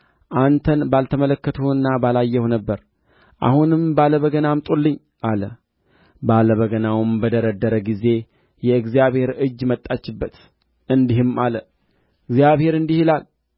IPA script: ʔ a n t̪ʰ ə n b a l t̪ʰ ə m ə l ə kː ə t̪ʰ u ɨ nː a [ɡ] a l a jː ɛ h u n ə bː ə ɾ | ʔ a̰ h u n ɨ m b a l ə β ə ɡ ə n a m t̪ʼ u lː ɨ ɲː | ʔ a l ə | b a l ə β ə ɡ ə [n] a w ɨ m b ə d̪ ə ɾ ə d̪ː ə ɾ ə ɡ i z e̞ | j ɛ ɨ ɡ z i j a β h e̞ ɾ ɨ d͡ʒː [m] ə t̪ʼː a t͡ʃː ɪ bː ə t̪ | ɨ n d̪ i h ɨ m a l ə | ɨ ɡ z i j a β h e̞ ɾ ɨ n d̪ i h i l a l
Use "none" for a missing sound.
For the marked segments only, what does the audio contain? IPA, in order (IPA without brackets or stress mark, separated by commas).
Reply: b, n, m